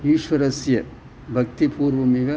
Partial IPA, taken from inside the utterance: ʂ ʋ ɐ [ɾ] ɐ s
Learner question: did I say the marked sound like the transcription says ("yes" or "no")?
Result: yes